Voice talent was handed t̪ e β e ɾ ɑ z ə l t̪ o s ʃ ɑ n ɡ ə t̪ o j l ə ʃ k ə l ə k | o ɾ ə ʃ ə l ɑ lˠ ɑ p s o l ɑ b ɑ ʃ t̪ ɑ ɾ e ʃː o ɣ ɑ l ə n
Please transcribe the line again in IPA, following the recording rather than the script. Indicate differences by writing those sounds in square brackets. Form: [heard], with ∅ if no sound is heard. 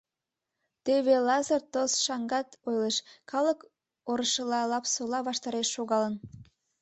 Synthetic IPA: t̪ e β e [l] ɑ z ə [r] t̪ o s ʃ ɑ [ŋ] ɡ [ɑ] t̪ o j l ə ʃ k [ɑ] l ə k | o ɾ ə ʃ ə l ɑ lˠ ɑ p s o l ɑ [β] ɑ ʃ t̪ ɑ ɾ e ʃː o ɣ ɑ l ə n